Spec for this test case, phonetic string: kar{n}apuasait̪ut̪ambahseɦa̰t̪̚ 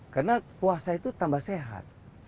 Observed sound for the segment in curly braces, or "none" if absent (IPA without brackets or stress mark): n